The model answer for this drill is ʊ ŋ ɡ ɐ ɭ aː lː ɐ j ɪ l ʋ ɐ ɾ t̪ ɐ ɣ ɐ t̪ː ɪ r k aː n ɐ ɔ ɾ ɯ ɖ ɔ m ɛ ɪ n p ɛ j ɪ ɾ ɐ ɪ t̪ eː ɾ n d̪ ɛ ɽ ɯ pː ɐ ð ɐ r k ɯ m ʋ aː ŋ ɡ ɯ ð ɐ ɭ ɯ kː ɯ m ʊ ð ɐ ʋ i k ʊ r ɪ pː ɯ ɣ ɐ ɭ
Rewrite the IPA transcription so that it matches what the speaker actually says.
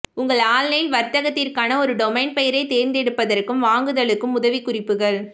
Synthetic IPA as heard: ʊ ŋ ɡ ɐ ɭ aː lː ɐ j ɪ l ʋ ɐ ɾ t̪ ɐ ɣ ɐ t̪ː ɪ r k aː n ɐ ɔ ɾ ɯ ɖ ɔ m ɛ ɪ n p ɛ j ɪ ɾ ɐ ɪ t̪ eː ɾ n d̪ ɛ ɽ ɯ pː ɐ ð ɐ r k ɯ m ʋ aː ŋ ɡ ɯ ð ɐ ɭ ɯ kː ɯ m ʊ ð ɐ ʋ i k ʊ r ɪ pː ɯ ɣ ɐ ɭ